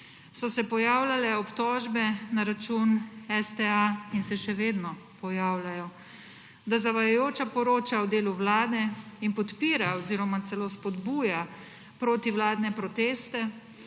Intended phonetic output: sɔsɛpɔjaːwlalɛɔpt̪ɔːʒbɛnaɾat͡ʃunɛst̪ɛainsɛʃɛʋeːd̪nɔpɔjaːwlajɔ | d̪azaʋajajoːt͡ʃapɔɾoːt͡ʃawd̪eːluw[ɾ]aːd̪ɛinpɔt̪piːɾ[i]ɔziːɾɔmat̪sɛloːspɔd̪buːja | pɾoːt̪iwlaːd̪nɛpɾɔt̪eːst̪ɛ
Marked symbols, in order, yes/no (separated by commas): no, no